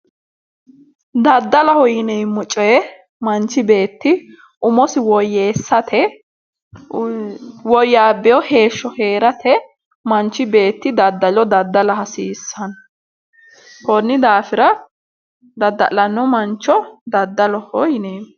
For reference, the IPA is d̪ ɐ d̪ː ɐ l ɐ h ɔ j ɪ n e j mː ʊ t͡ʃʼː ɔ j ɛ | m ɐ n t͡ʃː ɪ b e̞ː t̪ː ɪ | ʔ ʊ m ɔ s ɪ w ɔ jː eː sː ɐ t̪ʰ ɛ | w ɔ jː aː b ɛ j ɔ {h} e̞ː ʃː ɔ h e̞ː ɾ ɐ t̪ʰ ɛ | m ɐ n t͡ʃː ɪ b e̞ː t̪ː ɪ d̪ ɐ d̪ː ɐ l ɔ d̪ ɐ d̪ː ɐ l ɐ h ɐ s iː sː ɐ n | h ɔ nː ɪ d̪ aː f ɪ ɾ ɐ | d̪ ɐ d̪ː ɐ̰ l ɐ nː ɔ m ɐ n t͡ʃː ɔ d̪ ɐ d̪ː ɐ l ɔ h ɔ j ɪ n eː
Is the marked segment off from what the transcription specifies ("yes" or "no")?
no